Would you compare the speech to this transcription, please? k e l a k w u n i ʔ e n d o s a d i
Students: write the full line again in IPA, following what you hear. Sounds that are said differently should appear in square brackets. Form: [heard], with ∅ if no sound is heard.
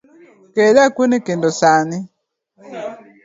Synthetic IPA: k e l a k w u n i [k] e n d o s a [n] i